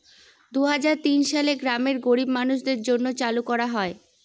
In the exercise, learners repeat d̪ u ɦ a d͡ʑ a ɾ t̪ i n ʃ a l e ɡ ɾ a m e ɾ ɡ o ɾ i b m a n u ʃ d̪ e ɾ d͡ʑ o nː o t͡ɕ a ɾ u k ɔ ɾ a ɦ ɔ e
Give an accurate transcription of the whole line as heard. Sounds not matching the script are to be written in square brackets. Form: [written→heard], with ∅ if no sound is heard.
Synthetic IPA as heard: d̪ u ɦ a d͡ʑ a ɾ t̪ i n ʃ a l e ɡ ɾ a m e ɾ ɡ o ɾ i b m a n u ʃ d̪ e ɾ d͡ʑ o nː o t͡ɕ a [ɾ→l] u k ɔ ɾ a ɦ ɔ e